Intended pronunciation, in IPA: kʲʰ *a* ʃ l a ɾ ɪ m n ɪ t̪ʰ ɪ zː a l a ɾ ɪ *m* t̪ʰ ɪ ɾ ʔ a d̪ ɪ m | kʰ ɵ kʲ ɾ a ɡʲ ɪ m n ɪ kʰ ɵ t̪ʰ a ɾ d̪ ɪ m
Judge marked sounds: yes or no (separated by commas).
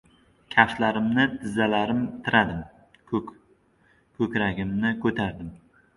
yes, yes